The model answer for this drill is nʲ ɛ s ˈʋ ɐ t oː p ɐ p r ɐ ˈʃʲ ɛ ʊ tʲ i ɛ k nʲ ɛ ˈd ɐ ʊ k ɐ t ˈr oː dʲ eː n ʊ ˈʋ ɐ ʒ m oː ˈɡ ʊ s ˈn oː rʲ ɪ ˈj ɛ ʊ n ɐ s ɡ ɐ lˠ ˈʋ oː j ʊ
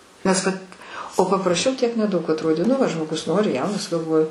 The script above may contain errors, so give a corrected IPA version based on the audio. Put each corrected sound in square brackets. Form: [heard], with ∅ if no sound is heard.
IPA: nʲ ɛ s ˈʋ ɐ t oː p ɐ p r ɐ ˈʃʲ ɛ ʊ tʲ i ɛ k nʲ ɛ ˈd ɐ ʊ k ɐ t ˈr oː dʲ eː n ʊ ˈʋ ɐ ʒ m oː ˈɡ ʊ s ˈn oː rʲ ɪ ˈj ɛ ʊ n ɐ s ɡ ɐ lˠ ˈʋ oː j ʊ